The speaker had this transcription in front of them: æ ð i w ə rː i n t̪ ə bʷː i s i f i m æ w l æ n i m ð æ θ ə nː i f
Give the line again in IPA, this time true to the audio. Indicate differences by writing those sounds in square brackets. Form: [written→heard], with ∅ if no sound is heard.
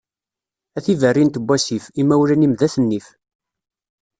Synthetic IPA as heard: æ [ð→θ] i [w→v] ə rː i n t̪ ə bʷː [i→æ] s i f i m æ w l æ n i m ð æ θ ə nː i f